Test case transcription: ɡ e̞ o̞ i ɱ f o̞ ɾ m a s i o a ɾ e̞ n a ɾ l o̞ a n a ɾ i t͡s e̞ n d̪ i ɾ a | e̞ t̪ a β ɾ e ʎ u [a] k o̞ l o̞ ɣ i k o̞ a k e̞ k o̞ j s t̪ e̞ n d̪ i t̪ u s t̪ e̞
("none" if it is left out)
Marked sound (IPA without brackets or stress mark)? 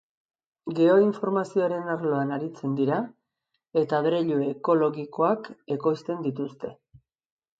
e